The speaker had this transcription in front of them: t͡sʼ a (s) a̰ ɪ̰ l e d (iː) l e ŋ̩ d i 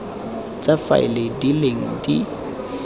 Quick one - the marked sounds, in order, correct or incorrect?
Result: incorrect, incorrect

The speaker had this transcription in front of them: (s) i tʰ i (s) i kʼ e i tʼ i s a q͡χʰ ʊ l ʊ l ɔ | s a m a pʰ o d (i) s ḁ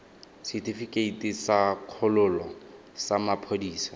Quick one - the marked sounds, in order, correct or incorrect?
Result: correct, incorrect, incorrect

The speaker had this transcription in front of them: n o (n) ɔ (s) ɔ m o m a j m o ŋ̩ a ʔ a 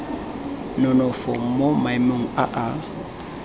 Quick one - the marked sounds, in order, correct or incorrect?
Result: correct, incorrect

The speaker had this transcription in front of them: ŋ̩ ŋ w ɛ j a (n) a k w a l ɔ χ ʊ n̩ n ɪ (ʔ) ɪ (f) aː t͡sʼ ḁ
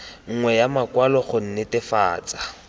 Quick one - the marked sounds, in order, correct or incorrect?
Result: incorrect, incorrect, correct

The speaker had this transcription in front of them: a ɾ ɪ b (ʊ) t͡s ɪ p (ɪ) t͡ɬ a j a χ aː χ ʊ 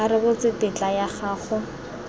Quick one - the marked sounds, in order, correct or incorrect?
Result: correct, correct

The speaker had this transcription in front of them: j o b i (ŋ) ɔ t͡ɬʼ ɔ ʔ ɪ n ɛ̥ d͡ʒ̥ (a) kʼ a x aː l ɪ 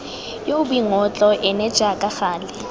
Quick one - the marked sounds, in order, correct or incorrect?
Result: correct, correct

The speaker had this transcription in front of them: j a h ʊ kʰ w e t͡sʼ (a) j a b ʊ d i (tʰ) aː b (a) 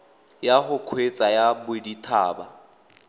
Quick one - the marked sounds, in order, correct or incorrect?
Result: correct, correct, correct

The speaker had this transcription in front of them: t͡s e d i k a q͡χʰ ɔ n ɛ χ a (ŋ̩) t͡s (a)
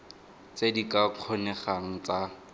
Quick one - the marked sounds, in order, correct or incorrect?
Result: correct, correct

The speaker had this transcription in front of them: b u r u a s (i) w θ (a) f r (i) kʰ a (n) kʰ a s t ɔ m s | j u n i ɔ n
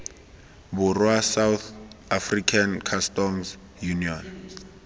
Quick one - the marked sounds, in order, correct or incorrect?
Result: incorrect, correct, correct, correct

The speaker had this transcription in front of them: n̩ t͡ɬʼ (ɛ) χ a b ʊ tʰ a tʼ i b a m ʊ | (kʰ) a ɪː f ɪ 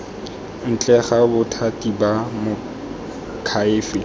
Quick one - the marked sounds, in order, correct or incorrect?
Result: correct, correct

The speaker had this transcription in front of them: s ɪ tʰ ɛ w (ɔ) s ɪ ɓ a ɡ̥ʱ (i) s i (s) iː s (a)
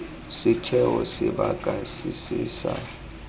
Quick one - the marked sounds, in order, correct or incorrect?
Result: correct, incorrect, correct, correct

